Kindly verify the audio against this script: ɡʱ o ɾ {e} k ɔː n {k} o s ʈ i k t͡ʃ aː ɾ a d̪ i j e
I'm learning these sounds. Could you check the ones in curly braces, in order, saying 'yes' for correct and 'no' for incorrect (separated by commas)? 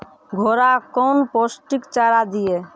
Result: no, no